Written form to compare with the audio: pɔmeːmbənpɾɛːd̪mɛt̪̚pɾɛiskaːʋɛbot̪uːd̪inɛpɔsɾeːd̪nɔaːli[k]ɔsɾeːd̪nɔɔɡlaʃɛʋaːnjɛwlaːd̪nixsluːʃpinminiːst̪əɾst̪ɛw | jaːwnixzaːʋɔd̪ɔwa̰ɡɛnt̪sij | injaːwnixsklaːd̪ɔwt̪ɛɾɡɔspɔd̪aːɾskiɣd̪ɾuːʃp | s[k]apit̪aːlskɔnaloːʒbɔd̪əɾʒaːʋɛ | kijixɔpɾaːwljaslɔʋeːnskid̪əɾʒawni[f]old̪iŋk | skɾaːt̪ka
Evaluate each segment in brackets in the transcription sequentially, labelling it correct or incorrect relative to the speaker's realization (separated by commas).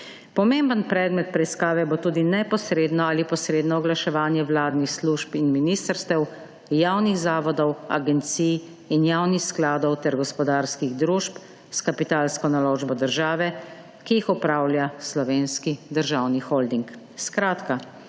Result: incorrect, correct, incorrect